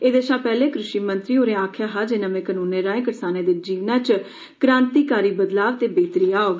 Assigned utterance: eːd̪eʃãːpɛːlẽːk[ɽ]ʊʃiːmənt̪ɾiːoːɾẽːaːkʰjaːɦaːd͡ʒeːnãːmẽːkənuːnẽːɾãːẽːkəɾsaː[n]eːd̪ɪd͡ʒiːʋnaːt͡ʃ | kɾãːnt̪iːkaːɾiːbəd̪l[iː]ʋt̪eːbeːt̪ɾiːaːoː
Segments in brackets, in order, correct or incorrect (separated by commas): incorrect, correct, incorrect